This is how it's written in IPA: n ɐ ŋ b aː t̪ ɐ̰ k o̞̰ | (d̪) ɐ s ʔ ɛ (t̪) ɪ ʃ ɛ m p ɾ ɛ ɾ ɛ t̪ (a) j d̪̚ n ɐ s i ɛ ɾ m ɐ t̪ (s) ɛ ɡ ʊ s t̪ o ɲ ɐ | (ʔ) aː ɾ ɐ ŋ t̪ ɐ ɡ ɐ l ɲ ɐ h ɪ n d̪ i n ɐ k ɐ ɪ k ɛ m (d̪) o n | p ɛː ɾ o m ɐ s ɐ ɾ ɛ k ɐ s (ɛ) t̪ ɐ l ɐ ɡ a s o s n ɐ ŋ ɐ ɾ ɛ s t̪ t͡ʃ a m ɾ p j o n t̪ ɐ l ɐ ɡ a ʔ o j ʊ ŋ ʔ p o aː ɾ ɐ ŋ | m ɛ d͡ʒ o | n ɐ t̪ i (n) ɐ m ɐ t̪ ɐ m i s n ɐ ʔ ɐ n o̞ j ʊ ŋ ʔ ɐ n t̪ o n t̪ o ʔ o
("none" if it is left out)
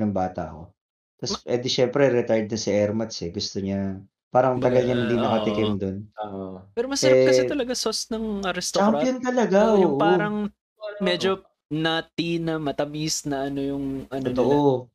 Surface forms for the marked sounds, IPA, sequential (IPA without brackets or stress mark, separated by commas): t̪, d̪, a, s, p, d̪, ɛ, n